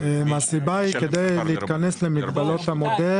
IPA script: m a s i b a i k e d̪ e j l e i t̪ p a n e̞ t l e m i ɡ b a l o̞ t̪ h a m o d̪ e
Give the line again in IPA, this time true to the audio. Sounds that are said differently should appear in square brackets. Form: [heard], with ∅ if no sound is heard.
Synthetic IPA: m a s i b a i k e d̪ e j l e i t̪ [k] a n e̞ [s] l e m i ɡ b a l o̞ t̪ h a m o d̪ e

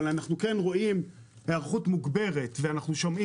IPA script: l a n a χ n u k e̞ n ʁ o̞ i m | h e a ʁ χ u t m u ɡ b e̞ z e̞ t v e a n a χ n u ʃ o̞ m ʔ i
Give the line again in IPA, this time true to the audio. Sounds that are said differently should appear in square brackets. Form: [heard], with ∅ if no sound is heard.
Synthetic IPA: l a n a χ n u k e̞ n ʁ o̞ i m | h e a ʁ χ u t m u ɡ b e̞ [ʁ] e̞ t v e a n a χ n u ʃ o̞ m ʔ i

